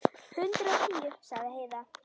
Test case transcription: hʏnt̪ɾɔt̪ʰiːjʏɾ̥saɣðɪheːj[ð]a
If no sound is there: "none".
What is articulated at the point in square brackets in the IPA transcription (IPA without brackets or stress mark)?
ð